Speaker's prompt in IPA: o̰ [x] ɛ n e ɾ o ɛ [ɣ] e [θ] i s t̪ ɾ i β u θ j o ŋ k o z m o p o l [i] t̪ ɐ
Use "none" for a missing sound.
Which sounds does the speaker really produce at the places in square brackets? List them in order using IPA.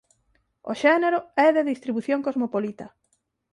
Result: ʃ, ð, ð, i

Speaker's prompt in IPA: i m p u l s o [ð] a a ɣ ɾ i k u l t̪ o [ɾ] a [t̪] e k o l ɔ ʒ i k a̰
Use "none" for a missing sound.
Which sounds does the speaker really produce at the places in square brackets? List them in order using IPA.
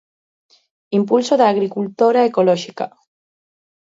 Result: ð, ɾ, none

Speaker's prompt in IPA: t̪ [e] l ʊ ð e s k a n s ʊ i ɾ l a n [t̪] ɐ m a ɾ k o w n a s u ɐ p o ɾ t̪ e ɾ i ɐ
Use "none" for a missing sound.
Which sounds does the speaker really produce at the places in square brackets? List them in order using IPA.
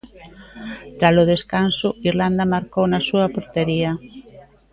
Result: a, d̪

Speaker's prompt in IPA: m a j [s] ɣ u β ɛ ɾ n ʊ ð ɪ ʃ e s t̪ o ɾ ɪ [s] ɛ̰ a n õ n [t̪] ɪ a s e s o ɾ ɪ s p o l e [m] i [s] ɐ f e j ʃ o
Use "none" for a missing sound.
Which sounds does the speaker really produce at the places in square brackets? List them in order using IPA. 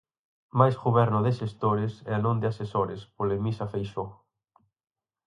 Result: s, s, d̪, m, s

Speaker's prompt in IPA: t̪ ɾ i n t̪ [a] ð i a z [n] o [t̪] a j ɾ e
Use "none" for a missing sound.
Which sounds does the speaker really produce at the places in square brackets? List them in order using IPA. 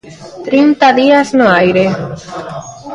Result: a, n, none

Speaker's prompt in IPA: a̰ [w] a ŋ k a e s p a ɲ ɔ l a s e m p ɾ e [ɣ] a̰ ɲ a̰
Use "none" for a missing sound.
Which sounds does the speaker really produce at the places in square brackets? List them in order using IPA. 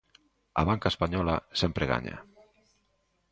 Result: β, ɣ

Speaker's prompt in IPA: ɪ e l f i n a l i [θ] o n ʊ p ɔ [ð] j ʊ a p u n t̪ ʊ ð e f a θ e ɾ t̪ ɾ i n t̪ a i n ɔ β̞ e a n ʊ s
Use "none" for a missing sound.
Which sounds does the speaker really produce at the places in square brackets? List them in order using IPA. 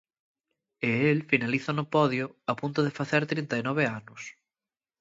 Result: θ, ð

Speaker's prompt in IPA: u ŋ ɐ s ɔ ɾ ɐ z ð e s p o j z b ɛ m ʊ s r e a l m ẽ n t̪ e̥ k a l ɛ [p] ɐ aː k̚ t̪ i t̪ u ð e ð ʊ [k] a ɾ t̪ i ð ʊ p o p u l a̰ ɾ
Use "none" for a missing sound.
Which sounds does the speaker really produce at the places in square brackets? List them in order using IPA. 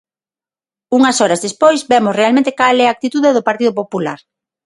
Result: none, p

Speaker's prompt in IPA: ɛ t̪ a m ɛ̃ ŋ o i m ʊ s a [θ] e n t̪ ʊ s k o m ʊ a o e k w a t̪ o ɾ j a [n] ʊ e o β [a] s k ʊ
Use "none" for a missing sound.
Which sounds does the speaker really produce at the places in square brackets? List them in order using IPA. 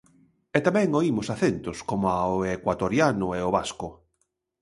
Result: θ, n, a

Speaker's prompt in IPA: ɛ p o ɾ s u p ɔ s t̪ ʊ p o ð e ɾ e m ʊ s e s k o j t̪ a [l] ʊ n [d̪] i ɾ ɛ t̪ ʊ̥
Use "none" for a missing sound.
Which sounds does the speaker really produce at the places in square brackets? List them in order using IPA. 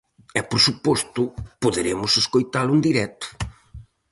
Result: l, d̪

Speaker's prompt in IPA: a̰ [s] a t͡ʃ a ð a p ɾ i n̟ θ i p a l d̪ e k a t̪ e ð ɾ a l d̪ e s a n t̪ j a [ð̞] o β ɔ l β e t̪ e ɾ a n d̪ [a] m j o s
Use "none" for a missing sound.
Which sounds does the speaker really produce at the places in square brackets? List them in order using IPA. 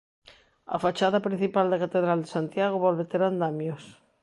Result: f, ɣ̞, a

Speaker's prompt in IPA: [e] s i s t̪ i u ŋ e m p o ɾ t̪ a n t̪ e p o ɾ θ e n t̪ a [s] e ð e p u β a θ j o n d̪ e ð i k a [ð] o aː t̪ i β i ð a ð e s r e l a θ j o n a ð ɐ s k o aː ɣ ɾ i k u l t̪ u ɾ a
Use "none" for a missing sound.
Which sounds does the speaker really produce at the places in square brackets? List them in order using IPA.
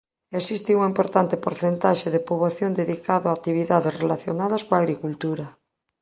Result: e, ʃ, ð

